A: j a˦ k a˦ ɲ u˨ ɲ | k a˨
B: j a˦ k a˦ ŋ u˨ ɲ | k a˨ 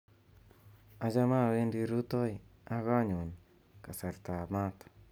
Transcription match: A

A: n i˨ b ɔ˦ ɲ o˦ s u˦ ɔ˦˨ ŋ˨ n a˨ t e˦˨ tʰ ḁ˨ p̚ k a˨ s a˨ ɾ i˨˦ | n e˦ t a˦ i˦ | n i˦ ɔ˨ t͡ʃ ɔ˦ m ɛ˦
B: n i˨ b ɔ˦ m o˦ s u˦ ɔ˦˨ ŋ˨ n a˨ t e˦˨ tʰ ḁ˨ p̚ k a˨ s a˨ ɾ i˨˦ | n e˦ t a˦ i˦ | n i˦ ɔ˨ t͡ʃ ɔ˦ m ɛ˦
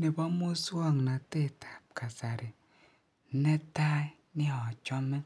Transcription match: B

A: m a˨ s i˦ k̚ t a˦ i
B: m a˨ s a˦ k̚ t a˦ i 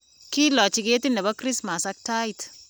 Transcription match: B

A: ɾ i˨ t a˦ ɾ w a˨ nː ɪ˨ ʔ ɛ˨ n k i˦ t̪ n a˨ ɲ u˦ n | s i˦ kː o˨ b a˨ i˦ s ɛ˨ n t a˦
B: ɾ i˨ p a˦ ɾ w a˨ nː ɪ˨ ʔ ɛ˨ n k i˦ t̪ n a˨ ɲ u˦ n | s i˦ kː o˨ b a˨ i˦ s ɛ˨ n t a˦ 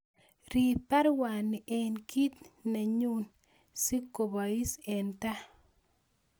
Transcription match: B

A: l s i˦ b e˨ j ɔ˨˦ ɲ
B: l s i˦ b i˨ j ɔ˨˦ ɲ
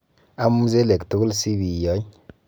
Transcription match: B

